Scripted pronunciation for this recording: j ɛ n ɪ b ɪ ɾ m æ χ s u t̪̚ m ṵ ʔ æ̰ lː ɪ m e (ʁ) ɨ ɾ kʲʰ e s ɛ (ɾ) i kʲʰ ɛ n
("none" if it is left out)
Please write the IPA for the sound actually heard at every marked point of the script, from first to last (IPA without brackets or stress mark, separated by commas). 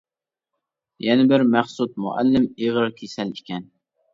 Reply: ʁ, l